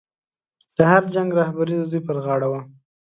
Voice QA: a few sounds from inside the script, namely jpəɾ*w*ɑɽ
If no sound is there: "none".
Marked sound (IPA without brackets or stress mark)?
ɣ